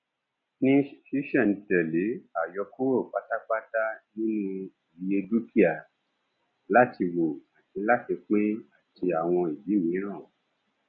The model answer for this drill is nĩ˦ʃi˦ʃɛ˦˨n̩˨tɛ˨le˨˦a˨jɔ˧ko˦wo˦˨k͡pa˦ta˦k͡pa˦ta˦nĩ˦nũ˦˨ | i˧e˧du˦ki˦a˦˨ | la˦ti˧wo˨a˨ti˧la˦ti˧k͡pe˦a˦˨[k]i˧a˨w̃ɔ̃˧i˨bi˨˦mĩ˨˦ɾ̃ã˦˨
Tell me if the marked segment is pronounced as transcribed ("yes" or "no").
no